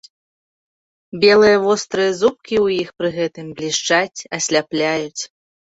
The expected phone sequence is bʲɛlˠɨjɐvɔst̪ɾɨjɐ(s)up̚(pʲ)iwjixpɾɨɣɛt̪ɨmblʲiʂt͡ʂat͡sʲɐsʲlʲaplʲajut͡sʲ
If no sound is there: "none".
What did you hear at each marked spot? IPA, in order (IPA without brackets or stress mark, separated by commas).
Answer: z, kʲ